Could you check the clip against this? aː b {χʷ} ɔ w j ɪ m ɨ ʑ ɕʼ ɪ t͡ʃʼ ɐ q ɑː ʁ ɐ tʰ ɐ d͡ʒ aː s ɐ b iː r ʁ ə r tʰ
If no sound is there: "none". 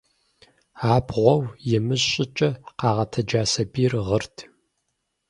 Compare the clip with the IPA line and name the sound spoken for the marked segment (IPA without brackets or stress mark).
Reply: ʁʷ